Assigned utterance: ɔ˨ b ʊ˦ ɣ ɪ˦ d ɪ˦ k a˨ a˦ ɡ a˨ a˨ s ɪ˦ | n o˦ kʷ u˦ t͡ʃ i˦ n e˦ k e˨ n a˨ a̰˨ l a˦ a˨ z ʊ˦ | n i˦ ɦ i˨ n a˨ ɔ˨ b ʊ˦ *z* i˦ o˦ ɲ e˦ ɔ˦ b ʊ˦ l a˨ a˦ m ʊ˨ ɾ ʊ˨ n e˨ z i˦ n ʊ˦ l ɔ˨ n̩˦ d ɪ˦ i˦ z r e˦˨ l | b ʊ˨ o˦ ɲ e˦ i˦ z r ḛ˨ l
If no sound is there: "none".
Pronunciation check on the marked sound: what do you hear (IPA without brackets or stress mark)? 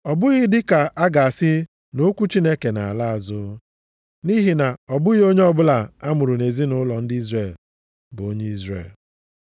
ɣ